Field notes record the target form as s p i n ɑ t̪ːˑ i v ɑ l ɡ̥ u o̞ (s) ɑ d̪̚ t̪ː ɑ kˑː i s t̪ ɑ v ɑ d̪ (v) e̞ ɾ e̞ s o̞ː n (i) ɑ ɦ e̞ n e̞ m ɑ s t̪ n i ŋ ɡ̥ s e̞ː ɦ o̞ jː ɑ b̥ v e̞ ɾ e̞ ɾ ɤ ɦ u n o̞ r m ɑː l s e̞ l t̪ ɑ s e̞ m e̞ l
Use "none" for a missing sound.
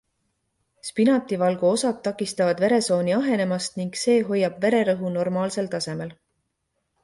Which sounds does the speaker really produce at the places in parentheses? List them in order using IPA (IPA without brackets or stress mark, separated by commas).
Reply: s, v, i